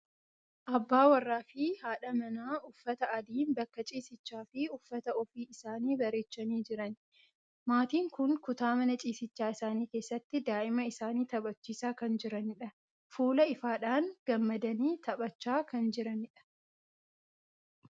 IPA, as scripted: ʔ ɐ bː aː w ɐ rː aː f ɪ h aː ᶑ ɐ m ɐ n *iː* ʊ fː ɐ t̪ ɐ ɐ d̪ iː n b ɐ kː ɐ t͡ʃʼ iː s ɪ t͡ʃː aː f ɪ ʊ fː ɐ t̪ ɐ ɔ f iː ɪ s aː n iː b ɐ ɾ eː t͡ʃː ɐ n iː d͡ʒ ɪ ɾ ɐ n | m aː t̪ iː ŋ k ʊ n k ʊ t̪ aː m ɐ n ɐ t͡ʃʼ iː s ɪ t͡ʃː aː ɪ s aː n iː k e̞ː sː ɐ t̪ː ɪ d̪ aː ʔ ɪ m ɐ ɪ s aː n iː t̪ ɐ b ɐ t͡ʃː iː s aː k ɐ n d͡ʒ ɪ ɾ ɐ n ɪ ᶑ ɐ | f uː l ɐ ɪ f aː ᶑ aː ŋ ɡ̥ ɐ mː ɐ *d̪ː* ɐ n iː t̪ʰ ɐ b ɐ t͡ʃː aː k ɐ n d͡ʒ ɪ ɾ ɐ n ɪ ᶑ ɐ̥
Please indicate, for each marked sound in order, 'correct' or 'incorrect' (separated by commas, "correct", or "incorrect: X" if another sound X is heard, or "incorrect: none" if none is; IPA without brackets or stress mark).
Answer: incorrect: aː, incorrect: d̪